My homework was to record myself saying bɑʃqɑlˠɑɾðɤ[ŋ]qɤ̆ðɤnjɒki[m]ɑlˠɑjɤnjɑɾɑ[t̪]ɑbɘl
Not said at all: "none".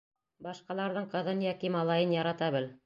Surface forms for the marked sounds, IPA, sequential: ɴ, m, t̪

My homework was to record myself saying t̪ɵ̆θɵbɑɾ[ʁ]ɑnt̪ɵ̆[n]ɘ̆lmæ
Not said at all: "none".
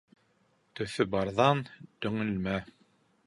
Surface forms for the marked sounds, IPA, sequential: ð, ŋ

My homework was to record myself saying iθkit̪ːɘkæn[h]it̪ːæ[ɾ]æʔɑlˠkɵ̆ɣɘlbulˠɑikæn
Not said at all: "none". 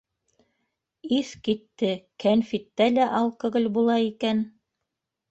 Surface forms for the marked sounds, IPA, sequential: f, l

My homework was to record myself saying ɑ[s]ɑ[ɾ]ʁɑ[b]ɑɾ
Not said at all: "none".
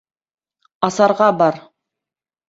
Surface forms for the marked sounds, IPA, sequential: s, ɾ, b

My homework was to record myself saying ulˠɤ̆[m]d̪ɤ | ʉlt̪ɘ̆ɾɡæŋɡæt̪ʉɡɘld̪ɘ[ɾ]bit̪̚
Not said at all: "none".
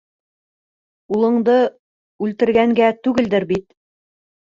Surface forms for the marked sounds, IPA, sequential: ɴ, ɾ

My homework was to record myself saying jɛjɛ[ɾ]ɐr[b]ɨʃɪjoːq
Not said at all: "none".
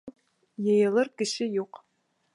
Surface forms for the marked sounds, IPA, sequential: l, ɡ

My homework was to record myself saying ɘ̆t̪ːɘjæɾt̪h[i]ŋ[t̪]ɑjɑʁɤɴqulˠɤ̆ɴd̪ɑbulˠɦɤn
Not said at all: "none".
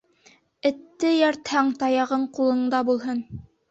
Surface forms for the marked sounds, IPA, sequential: æ, t̪

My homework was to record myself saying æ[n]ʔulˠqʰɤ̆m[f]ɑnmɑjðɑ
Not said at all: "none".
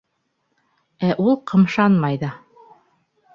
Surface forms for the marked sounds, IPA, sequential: none, ʃ

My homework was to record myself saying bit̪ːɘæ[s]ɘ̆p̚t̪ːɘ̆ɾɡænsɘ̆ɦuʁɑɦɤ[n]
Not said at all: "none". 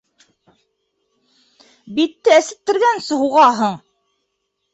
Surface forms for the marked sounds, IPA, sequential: s, ɴ

